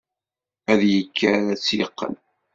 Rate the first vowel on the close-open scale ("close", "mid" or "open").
open